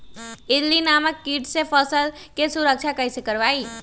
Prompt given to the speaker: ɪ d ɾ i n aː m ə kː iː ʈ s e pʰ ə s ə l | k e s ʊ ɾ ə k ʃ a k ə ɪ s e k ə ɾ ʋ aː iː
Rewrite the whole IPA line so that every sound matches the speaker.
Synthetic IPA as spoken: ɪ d l i n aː m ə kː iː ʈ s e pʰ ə s ə l | k e s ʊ ɾ ə k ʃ a k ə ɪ s e k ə ɾ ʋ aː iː